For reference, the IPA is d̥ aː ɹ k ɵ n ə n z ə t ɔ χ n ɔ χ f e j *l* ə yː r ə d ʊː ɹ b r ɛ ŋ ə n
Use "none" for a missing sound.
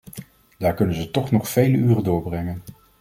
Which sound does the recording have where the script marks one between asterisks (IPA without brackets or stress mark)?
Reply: l